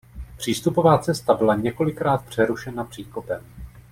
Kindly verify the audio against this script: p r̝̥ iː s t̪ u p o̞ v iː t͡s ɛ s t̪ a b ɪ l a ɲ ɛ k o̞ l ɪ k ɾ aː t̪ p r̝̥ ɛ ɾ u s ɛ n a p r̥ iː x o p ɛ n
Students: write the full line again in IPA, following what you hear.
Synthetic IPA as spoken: p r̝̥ iː s t̪ u p o̞ v aː t͡s ɛ s t̪ a b ɪ l a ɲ ɛ k o̞ l ɪ k ɾ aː t̪ p r̝̥ ɛ ɾ u ʃ ɛ n a p r̥ iː k o p ɛ m